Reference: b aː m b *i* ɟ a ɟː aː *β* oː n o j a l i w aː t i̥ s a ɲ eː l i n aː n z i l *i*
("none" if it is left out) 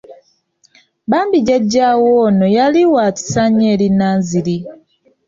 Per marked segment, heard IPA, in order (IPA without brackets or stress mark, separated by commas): i, w, i